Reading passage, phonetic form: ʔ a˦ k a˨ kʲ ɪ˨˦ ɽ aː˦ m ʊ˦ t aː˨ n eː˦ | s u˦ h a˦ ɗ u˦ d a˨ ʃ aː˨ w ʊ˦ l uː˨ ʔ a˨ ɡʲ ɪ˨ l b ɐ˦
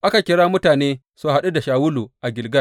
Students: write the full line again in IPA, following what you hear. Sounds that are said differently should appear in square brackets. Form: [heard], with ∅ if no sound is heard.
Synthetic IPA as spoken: ʔ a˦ k a˨ kʲ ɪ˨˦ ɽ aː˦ m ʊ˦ t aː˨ n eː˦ | s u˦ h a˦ ɗ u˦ d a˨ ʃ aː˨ w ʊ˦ l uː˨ ʔ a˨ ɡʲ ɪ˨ l [ɡ] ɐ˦